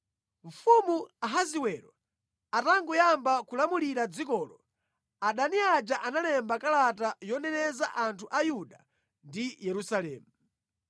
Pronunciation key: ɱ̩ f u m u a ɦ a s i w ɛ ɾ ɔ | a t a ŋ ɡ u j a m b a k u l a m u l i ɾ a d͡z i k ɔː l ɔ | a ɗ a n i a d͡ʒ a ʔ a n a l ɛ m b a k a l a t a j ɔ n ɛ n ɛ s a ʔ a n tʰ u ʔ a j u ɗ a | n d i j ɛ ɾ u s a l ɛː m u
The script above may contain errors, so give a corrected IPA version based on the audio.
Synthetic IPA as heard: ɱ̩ f u m u a ɦ a z i w ɛ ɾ ɔ | a t a ŋ ɡ u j a m b a k u l a m u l i ɾ a d͡z i k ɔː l ɔ | a ɗ a n i a d͡ʒ a ʔ a n a l ɛ m b a k a l a t a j ɔ n ɛ n ɛ z a ʔ a n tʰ u ʔ a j u ɗ a | n d i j ɛ ɾ u s a l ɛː m u